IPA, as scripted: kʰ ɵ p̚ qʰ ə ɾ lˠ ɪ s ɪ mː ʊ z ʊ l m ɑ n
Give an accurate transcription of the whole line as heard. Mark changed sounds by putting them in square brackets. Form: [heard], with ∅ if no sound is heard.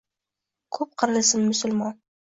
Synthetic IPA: kʰ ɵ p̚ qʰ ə ɾ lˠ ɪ s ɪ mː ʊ [s] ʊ l m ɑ n